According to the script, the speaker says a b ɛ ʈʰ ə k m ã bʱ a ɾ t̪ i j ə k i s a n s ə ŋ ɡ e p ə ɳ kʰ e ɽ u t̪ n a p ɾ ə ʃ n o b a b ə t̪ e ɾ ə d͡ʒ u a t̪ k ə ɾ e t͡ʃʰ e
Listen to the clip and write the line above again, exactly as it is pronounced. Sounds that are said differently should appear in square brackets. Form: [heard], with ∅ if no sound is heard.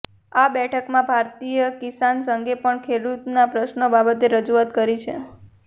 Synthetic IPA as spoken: a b ɛ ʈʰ ə k m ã bʱ a ɾ t̪ i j ə k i s a n s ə ŋ ɡ e p ə ɳ kʰ e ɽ u t̪ n a p ɾ ə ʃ n o b a b ə t̪ e ɾ ə d͡ʒ u a t̪ k ə ɾ [i] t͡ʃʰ e

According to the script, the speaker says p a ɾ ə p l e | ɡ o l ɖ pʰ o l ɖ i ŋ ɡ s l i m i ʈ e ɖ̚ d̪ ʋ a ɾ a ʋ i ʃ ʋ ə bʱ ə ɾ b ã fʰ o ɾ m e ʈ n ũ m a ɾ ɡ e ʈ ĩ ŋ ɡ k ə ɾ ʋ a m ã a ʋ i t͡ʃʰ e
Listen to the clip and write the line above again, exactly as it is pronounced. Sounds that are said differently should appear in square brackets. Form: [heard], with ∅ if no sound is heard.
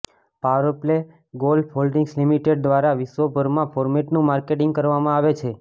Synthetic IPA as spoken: p a ɾ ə p l e | ɡ o l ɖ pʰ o l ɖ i ŋ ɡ s l i m i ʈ e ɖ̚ d̪ ʋ a ɾ a ʋ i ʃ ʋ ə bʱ ə ɾ [m] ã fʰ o ɾ m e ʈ n ũ m a ɾ [k] e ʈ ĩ ŋ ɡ k ə ɾ ʋ a m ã a ʋ [e] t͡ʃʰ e

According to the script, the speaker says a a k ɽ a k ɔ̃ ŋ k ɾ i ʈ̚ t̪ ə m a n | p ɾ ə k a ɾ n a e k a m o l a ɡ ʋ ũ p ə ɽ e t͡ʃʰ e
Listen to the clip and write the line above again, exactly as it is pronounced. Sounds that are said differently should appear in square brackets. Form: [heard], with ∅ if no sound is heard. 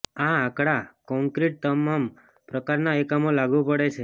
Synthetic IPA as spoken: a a k ɽ a k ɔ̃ ŋ k ɾ i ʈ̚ t̪ ə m a [m] | p ɾ ə k a ɾ n a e k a m o l a ɡ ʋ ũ p ə ɽ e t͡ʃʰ e

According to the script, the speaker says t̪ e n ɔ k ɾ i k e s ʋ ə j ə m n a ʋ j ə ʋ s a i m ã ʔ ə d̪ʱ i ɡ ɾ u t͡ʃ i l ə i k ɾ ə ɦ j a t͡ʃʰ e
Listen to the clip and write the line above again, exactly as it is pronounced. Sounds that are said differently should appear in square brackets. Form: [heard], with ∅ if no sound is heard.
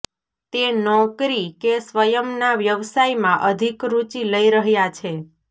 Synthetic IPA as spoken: t̪ e n ɔ k ɾ i k e s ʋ ə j ə m n a ʋ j ə ʋ s a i m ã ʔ ə d̪ʱ i [k] ɾ u t͡ʃ i l ə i [∅] ɾ ə ɦ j a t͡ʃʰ e

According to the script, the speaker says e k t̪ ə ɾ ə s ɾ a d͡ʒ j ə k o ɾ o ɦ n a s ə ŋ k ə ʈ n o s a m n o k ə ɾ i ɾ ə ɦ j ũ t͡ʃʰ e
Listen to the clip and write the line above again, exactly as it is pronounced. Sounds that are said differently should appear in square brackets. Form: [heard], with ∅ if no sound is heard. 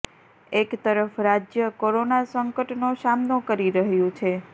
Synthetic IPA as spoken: e k t̪ ə ɾ ə [f] ɾ a d͡ʒ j ə k o ɾ o [∅] n a s ə ŋ k ə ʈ n o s a m n o k ə ɾ i ɾ ə ɦ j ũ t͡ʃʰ e

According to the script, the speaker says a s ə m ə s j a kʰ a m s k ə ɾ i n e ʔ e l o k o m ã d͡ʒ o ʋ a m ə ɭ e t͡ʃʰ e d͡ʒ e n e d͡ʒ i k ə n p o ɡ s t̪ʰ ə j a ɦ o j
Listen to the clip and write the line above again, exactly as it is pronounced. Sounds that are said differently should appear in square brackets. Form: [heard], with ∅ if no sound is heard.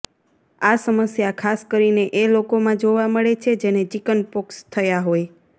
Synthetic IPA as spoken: a s ə m ə s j a kʰ a [∅] s k ə ɾ i n e ʔ e l o k o m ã d͡ʒ o ʋ a m ə ɭ e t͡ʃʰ e d͡ʒ e n e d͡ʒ i k ə n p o [k] s t̪ʰ ə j a ɦ o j

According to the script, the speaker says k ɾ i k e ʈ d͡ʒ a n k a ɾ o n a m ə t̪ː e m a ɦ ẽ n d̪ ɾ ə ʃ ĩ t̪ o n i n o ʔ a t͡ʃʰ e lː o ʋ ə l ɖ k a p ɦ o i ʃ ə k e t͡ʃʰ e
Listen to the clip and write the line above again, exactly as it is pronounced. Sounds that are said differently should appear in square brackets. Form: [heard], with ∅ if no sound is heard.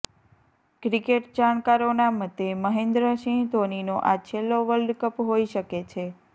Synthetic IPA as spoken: k ɾ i k e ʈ d͡ʒ a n k a ɾ o n a m ə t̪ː e m [ə] ɦ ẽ n d̪ ɾ ə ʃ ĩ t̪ o n i n o ʔ a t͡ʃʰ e lː o ʋ ə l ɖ k [ə] p ɦ o i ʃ ə k e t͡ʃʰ e

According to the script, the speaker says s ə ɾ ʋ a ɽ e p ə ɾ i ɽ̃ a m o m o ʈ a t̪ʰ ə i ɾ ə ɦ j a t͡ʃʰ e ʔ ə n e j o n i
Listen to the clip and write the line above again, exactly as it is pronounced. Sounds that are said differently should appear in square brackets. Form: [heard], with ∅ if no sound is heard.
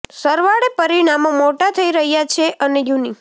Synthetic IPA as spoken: s ə ɾ ʋ a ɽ e p ə ɾ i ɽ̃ a m o m o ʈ a t̪ʰ ə i ɾ ə ɦ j a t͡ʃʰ e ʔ ə n e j [u] n i

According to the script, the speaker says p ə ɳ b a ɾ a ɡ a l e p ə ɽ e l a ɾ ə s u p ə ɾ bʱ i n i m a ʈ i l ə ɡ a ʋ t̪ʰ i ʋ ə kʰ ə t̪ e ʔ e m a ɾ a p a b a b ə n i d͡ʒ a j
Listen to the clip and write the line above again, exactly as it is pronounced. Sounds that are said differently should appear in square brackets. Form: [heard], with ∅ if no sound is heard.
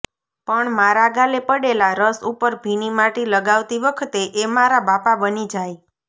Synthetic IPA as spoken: p ə ɳ [m] a ɾ a ɡ a l e p ə ɽ e l a ɾ ə s u p ə ɾ bʱ i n i m a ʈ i l ə ɡ a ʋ [t̪] i ʋ ə kʰ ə t̪ e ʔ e m a ɾ a [b] a [p] a b ə n i d͡ʒ a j

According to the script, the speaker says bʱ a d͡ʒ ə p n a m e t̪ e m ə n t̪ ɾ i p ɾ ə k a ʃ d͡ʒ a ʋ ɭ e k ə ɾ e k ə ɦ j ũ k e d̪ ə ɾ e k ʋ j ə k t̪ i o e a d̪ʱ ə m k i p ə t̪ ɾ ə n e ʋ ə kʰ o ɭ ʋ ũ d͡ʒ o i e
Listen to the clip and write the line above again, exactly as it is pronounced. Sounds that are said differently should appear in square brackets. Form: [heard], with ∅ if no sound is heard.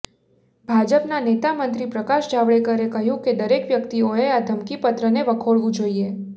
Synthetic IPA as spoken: bʱ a d͡ʒ ə p n a [n] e t̪ [a] m ə n t̪ ɾ i p ɾ ə k a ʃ d͡ʒ a ʋ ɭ e k ə ɾ e k ə ɦ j ũ k e d̪ ə ɾ e k ʋ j ə k t̪ i o e a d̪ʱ ə m k i p ə t̪ ɾ ə n e ʋ ə kʰ o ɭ ʋ ũ d͡ʒ o i e

